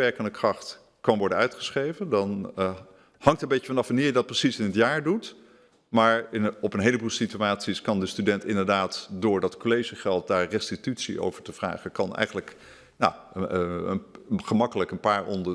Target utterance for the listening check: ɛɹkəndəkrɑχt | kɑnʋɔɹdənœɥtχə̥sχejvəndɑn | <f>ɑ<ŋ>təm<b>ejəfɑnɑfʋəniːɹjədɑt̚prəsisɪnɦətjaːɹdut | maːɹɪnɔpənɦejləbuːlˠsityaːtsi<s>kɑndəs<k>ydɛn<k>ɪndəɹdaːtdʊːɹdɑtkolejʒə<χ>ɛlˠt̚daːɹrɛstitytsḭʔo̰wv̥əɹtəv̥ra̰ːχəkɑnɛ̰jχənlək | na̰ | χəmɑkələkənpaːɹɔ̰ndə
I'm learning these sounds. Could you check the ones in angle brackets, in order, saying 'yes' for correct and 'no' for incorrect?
no, yes, yes, yes, no, no, yes

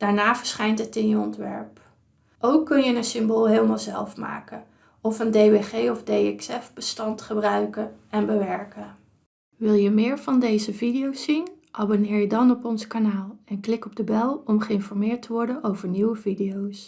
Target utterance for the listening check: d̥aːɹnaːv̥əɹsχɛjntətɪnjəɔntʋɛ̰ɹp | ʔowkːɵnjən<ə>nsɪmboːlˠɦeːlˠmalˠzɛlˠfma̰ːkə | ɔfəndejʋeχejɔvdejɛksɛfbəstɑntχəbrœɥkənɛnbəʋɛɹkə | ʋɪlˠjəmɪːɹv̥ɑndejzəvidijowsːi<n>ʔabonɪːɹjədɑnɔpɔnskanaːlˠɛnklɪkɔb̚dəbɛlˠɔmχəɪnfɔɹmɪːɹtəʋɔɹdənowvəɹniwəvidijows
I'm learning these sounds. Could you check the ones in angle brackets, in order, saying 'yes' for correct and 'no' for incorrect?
yes, yes

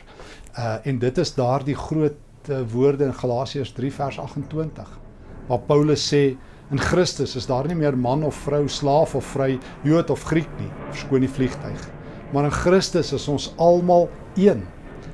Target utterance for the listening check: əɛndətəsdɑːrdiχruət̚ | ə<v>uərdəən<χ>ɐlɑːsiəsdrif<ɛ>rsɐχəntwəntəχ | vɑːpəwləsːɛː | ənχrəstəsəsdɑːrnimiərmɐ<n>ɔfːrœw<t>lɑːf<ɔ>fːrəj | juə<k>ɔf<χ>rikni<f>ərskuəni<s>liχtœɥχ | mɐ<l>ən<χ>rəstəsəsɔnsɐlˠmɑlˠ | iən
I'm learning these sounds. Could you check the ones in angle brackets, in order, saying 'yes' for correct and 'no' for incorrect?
yes, yes, no, yes, no, yes, no, yes, yes, no, no, yes

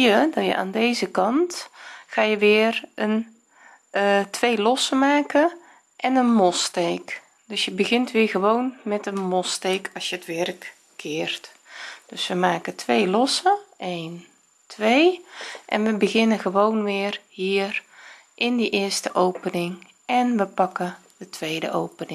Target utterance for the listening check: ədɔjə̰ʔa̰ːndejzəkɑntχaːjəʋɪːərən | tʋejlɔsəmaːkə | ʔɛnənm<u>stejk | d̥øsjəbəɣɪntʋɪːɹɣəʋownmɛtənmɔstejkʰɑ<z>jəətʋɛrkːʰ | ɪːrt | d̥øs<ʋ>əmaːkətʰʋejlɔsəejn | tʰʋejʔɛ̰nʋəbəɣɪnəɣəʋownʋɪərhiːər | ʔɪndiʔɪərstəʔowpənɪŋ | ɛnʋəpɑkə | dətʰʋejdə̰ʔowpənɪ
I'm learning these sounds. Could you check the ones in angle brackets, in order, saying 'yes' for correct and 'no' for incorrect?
no, no, yes

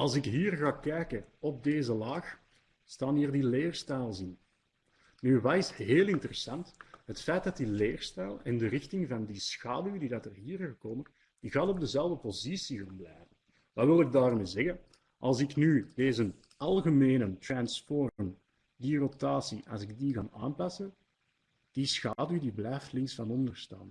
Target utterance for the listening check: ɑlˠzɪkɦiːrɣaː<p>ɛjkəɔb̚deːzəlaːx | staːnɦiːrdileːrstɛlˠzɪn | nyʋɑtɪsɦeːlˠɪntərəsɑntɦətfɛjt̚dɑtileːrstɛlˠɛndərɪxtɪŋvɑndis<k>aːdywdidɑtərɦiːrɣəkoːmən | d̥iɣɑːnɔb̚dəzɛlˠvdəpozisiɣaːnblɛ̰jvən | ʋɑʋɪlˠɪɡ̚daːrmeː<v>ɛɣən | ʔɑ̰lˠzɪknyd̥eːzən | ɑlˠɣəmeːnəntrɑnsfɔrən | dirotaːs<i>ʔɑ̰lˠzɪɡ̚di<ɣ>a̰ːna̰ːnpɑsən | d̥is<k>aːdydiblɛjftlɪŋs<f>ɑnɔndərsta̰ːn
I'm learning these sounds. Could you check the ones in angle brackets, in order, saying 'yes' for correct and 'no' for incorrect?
no, no, no, yes, yes, no, yes

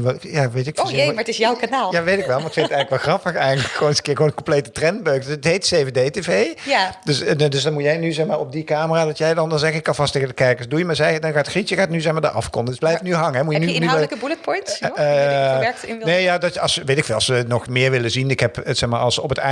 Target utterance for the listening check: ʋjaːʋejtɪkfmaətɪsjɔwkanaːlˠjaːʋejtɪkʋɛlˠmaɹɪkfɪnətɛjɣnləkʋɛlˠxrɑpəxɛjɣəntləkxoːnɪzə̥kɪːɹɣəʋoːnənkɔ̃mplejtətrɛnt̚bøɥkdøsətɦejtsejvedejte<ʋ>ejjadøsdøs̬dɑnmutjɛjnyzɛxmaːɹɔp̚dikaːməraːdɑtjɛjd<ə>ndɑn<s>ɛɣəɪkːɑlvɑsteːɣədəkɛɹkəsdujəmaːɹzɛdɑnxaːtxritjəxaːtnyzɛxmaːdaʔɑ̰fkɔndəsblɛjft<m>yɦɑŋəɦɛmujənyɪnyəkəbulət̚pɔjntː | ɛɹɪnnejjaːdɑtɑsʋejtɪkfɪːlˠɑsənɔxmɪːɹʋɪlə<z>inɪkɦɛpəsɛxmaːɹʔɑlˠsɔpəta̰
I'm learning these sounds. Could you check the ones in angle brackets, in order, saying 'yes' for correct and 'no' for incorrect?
no, no, no, no, yes

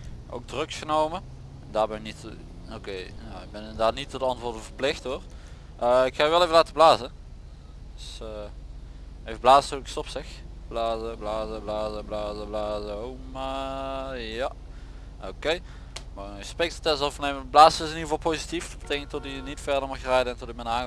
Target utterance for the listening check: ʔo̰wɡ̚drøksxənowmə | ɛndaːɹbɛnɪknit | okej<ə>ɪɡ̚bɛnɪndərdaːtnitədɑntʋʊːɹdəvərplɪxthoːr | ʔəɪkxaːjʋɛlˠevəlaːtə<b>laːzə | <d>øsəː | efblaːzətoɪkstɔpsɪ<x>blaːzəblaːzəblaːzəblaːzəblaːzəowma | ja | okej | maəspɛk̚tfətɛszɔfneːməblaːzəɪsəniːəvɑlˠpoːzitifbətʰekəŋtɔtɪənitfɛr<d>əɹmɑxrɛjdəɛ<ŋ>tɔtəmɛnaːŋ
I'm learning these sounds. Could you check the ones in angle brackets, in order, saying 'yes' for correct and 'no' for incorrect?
no, yes, yes, yes, yes, no

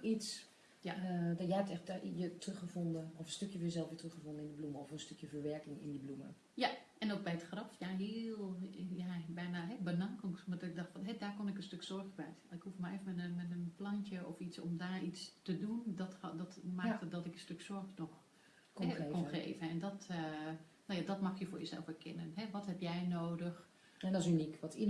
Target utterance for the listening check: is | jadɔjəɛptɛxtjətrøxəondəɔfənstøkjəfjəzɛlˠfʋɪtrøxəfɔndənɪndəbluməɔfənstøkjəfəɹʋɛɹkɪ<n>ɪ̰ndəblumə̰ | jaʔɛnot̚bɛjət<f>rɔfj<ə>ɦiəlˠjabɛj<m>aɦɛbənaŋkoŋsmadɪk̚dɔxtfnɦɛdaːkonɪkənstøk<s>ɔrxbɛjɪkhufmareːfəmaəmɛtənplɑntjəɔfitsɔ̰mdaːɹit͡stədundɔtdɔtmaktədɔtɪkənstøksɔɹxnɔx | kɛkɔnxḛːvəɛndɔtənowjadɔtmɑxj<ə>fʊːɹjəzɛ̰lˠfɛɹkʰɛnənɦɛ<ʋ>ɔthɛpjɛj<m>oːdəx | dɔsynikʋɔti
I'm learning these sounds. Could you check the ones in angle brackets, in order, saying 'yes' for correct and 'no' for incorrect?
no, no, no, no, yes, yes, yes, no

